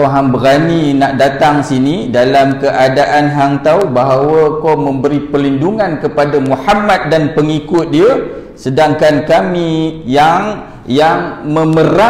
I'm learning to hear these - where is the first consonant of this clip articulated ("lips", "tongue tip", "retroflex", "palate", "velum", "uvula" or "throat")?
throat